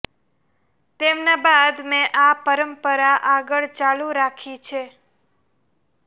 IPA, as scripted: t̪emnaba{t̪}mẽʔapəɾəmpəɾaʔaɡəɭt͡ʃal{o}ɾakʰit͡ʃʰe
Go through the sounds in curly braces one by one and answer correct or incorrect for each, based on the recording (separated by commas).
incorrect, incorrect